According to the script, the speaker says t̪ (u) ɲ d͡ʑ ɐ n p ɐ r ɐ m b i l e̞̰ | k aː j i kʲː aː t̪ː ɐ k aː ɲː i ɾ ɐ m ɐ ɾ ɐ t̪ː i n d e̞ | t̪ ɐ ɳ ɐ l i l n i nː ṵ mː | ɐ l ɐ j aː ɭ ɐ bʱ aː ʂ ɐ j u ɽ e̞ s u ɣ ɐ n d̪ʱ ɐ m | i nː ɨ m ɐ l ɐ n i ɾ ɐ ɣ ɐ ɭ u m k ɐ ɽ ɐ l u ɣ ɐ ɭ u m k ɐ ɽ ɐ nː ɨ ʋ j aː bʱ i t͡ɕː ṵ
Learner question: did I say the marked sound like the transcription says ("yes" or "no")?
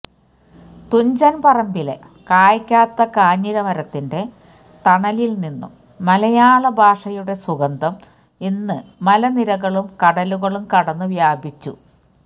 yes